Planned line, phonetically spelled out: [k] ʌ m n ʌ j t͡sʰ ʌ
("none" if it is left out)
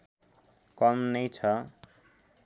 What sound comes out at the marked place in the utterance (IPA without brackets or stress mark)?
k